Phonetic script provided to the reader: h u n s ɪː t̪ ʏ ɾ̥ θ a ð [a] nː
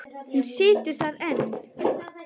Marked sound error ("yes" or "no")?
yes